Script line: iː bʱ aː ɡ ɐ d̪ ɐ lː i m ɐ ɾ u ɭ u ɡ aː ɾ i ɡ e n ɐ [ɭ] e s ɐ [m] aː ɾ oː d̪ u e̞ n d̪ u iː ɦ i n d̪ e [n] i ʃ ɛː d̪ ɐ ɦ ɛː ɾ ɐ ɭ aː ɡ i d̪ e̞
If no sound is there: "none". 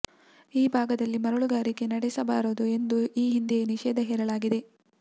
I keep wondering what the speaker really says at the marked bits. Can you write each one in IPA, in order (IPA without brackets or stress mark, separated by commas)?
ɽ, b, n